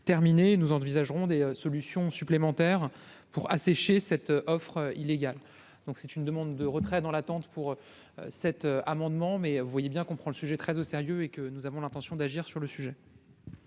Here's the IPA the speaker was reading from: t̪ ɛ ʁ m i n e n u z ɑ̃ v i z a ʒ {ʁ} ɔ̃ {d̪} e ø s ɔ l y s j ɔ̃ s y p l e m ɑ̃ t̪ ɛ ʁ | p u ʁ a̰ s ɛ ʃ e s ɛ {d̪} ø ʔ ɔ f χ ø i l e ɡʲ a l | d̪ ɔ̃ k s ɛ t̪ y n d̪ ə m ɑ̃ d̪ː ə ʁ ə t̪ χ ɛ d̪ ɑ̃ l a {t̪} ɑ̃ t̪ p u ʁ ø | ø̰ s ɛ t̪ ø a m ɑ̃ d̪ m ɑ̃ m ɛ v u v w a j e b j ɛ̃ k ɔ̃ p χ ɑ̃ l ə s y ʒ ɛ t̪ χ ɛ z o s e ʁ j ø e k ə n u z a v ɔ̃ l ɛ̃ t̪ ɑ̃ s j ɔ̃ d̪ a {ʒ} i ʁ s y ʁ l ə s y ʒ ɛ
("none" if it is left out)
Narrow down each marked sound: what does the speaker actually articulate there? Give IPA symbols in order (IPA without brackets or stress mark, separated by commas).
ʁ, d̪, t̪, t̪, ʒ